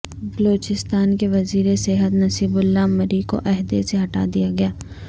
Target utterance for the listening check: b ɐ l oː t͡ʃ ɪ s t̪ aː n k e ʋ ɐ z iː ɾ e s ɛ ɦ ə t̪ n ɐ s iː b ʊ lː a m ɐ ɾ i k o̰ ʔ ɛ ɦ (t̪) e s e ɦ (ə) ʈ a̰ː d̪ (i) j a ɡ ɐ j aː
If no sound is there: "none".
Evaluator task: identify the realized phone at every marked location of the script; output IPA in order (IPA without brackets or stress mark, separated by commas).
d̪, ɐ, i